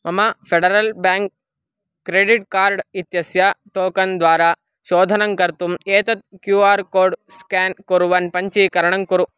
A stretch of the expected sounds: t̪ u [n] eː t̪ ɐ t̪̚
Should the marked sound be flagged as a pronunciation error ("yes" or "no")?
yes